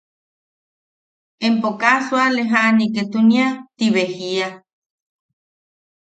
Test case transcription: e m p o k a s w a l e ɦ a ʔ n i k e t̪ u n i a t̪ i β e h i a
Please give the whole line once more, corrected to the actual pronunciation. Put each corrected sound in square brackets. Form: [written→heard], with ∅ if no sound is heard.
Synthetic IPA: e m p o k a s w a l e ɦ a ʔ n i k e t̪ u n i a t̪ i β e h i a